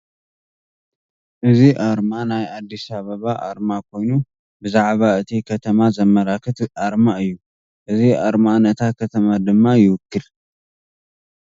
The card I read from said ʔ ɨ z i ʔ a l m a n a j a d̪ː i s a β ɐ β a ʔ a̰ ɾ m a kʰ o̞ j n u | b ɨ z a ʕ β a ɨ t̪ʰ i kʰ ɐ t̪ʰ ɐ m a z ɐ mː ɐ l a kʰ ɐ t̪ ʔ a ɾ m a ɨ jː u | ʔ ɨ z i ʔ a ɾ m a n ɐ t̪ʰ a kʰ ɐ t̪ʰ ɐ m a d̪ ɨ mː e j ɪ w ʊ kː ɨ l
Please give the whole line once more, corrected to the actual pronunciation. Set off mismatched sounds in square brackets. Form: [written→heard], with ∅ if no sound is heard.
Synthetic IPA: ʔ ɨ z i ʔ a [l→ɾ] m a n a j a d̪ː i s a β ɐ β a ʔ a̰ ɾ m a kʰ o̞ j n u | b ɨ z a ʕ β a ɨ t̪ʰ i kʰ ɐ t̪ʰ ɐ m a z ɐ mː ɐ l a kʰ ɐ t̪ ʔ a ɾ m a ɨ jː u | ʔ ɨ z i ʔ a ɾ m a n ɐ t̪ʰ a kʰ ɐ t̪ʰ ɐ m a d̪ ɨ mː [e→a] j ɪ w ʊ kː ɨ l

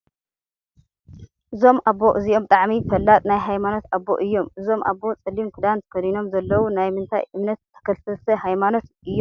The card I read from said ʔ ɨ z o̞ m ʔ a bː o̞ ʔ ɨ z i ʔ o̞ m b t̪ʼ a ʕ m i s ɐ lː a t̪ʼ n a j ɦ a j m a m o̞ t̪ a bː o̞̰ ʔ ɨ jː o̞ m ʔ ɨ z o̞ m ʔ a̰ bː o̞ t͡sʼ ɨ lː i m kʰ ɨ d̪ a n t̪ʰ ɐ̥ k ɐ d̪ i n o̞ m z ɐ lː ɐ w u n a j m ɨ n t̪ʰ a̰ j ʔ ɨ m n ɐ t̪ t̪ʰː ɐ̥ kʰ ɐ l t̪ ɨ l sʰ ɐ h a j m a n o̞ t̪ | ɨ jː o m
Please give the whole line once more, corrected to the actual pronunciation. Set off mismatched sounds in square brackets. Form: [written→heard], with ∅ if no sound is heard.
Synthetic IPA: ʔ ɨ z o̞ m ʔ a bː o̞ ʔ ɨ z i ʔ o̞ m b t̪ʼ a ʕ m i [s→f] ɐ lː a t̪ʼ n a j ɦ a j m a [m→n] o̞ t̪ a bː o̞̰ ʔ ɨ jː o̞ m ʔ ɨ z o̞ m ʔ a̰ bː o̞ t͡sʼ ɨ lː i m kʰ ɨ d̪ a n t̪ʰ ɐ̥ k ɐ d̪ i n o̞ m z ɐ lː ɐ w u n a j m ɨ n t̪ʰ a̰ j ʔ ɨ m n ɐ t̪ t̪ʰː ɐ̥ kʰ ɐ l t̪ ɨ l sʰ ɐ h a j m a n o̞ t̪ | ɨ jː o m

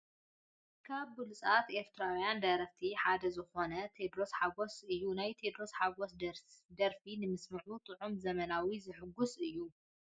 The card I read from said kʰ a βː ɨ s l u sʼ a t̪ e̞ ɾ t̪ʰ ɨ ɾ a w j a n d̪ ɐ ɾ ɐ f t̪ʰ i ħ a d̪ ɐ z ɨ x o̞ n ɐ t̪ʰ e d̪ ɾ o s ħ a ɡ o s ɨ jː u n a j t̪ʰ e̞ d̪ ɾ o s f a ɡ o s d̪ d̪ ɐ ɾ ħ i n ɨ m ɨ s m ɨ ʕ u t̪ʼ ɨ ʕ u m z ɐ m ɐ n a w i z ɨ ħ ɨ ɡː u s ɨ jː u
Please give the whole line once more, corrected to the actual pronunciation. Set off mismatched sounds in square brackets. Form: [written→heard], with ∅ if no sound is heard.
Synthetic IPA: kʰ a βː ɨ [s→∅] l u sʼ a t̪ e̞ ɾ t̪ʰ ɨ ɾ a w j a n d̪ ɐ ɾ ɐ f t̪ʰ i ħ a d̪ ɐ z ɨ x o̞ n ɐ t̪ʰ e d̪ ɾ o s ħ a ɡ o s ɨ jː u n a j t̪ʰ e̞ d̪ ɾ o s [f→ħ] a ɡ o s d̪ d̪ ɐ ɾ [ħ→f] i n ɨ m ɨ s m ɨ ʕ u t̪ʼ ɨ ʕ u m z ɐ m ɐ n a w i z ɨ ħ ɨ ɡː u s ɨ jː u

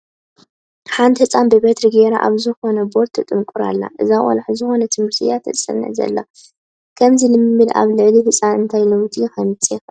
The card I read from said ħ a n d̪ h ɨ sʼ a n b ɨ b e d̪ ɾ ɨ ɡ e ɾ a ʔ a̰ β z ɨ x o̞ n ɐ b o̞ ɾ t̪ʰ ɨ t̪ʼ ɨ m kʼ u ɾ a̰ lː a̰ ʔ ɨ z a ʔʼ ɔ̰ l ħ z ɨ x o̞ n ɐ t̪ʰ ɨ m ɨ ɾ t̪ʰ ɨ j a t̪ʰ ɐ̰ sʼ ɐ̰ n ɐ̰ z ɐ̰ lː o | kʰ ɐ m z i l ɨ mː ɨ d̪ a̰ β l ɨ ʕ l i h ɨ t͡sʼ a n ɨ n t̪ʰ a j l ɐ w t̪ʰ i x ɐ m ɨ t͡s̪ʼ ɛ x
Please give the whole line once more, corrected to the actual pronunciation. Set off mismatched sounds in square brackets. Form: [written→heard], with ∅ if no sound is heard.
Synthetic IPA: ħ a n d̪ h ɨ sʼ a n b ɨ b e [d̪→t̪] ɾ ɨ ɡ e ɾ a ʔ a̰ β z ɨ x o̞ n ɐ b o̞ ɾ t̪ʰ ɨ t̪ʼ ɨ m kʼ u ɾ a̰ lː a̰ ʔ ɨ z a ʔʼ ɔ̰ l ħ z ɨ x o̞ n ɐ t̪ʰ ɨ m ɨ ɾ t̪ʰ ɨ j a t̪ʰ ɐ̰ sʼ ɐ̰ n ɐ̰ z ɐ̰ lː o | kʰ ɐ m z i l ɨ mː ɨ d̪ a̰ β l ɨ ʕ l i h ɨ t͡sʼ a n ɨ n t̪ʰ a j l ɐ w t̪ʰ i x ɐ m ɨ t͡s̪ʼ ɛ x

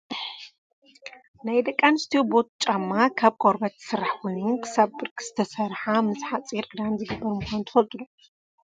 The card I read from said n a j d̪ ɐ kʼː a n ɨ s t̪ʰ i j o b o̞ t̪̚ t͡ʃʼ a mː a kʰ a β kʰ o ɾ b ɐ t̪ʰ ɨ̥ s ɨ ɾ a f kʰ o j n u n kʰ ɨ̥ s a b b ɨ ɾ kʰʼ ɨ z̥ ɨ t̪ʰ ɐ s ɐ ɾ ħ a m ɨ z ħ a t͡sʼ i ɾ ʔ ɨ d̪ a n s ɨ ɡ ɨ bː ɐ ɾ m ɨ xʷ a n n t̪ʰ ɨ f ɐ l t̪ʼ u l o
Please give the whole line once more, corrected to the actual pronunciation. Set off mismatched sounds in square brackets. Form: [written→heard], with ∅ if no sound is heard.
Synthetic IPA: n a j d̪ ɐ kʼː a n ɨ s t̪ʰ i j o b o̞ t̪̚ t͡ʃʼ a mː a kʰ a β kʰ o ɾ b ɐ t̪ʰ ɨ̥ s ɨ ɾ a [f→ħ] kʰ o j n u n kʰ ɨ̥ s a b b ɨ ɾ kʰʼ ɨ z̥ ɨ t̪ʰ ɐ s ɐ ɾ ħ a m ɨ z ħ a t͡sʼ i ɾ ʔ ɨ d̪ a n [s→z] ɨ ɡ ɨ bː ɐ ɾ m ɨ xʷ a n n t̪ʰ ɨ f ɐ l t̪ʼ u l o

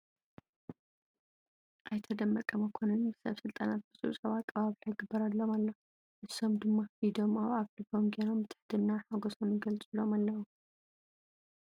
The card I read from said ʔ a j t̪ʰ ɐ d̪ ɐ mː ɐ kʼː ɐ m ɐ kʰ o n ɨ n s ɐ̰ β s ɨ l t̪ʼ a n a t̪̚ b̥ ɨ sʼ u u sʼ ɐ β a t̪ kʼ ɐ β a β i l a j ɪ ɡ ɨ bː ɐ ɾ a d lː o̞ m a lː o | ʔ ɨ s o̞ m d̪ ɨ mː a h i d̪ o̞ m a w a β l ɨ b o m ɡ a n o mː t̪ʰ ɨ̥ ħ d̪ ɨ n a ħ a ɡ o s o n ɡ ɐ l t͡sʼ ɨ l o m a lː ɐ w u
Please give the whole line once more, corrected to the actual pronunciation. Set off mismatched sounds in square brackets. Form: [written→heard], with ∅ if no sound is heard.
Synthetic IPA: ʔ a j t̪ʰ ɐ d̪ ɐ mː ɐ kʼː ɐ m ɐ kʰ o n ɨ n s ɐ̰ β s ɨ l t̪ʼ a n a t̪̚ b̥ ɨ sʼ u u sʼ ɐ β a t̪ kʼ ɐ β a β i l a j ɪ ɡ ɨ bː ɐ ɾ a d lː o̞ m a lː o | ʔ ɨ s o̞ m d̪ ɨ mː a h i d̪ o̞ m a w a β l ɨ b o m ɡ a n o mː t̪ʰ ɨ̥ ħ d̪ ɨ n a ħ a ɡ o s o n ɡ ɐ l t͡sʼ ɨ l o m a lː ɐ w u

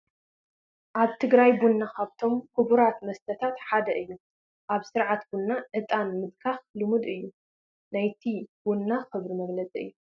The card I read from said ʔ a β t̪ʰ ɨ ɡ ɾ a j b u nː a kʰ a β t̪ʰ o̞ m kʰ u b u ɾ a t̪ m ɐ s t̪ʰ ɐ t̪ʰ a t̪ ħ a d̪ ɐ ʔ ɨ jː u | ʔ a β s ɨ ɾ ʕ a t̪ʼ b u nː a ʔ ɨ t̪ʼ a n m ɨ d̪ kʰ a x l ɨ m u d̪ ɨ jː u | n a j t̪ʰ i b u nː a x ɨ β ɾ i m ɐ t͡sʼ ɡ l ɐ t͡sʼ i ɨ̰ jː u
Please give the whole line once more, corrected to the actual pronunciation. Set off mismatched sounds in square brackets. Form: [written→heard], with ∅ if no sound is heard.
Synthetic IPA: ʔ a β t̪ʰ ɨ ɡ ɾ a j b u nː a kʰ a β t̪ʰ o̞ m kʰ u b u ɾ a t̪ m ɐ s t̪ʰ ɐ t̪ʰ a t̪ ħ a d̪ ɐ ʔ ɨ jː u | ʔ a β s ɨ ɾ ʕ a [t̪ʼ→t̪] b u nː a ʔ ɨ t̪ʼ a n m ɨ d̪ kʰ a x l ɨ m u d̪ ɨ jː u | n a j t̪ʰ i b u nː a x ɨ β ɾ i m ɐ [t͡sʼ→∅] ɡ l ɐ t͡sʼ i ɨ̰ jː u

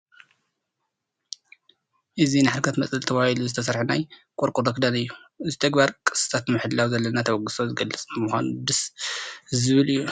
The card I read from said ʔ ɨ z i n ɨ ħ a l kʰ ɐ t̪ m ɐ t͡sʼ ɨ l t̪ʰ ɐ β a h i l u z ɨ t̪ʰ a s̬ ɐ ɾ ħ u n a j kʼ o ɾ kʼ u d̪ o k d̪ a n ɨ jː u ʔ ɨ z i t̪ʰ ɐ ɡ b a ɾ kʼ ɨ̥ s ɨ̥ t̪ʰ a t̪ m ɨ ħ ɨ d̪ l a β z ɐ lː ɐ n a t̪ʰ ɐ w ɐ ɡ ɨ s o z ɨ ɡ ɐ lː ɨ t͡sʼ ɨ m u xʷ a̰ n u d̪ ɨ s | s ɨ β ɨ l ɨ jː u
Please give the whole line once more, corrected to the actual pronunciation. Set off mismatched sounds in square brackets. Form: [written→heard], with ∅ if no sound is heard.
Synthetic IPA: ʔ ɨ z i n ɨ ħ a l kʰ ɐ t̪ m ɐ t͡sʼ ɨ l t̪ʰ ɐ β a h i l u z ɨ t̪ʰ [a→ɐ] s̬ ɐ ɾ ħ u n a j kʼ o ɾ kʼ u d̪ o k d̪ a n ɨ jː u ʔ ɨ z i t̪ʰ ɐ ɡ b a ɾ kʼ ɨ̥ s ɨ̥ t̪ʰ a t̪ m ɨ ħ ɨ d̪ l a [β→w] z ɐ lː ɐ n a t̪ʰ ɐ w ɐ ɡ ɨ s o z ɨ ɡ ɐ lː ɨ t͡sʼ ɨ m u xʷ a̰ n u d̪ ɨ s | [s→z] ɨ β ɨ l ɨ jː u

